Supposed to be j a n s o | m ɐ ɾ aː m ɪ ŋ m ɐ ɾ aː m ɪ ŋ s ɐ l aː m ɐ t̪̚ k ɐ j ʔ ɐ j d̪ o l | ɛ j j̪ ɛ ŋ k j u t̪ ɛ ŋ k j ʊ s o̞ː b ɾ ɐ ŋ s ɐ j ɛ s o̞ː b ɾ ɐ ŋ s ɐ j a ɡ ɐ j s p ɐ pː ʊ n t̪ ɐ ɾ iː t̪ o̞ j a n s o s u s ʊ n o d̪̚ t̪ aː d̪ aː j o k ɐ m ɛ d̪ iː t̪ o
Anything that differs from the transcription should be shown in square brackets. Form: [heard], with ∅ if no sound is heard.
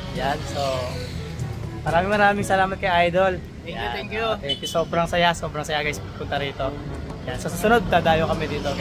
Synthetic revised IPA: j a n s o | m ɐ ɾ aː m ɪ ŋ m ɐ ɾ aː m ɪ ŋ s ɐ l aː m ɐ t̪̚ k ɐ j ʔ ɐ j d̪ o l | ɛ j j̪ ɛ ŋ k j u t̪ ɛ ŋ k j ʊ s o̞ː b ɾ ɐ ŋ s ɐ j [a] s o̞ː b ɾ ɐ ŋ s ɐ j a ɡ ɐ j s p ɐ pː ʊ n t̪ ɐ ɾ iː t̪ o̞ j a n s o s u s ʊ n o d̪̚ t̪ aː d̪ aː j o k ɐ m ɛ d̪ iː t̪ o